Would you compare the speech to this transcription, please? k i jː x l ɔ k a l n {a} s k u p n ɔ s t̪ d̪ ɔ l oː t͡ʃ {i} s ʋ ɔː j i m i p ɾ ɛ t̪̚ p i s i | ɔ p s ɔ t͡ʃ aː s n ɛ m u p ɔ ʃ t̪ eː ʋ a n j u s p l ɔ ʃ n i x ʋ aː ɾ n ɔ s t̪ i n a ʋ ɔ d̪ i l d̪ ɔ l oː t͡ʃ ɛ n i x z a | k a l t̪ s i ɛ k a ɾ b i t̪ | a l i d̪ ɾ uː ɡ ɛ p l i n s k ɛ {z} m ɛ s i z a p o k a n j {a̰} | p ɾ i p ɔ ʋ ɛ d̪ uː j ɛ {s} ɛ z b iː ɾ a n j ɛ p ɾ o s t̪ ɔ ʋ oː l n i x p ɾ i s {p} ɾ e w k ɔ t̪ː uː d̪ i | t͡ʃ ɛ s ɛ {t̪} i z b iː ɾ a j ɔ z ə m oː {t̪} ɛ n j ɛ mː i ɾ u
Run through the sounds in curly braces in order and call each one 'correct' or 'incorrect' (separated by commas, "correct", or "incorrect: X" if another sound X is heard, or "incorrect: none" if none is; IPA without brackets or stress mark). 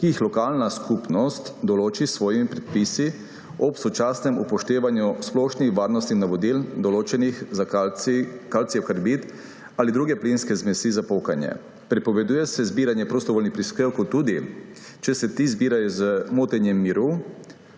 correct, correct, correct, incorrect: ɛ̰, correct, incorrect: k, correct, correct